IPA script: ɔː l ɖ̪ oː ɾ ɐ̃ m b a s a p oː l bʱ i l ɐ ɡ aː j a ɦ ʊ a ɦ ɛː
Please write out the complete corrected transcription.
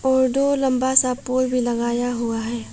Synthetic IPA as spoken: ɔː ɾ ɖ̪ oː l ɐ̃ m b a s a p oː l bʱ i l ɐ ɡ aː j a ɦ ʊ a ɦ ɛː